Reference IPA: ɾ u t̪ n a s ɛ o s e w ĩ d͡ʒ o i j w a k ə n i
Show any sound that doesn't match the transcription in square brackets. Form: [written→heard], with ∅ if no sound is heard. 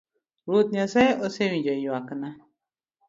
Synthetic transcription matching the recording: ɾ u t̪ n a s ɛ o s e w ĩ d͡ʒ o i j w a k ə n [i→a]